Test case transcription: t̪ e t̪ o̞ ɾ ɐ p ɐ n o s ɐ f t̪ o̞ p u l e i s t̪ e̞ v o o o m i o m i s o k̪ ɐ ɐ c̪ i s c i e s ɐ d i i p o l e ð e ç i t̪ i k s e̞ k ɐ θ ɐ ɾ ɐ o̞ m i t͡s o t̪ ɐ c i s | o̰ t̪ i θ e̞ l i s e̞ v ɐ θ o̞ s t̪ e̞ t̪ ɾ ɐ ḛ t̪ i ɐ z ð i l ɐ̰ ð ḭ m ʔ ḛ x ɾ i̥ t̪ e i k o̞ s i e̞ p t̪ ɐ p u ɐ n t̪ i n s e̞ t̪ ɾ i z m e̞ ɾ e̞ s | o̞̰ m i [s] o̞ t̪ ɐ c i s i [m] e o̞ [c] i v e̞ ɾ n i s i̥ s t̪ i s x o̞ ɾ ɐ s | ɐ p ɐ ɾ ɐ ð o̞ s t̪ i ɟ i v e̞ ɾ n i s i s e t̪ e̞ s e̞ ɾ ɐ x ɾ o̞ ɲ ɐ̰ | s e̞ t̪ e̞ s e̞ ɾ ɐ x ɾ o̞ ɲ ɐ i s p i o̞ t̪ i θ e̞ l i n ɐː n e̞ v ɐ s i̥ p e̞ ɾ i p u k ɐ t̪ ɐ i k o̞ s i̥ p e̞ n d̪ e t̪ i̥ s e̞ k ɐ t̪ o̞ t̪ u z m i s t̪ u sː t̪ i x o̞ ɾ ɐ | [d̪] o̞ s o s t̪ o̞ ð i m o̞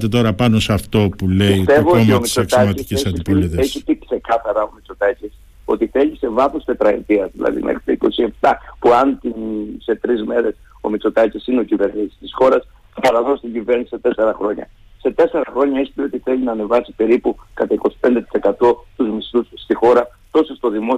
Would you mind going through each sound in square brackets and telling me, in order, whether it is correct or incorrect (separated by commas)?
incorrect, incorrect, correct, incorrect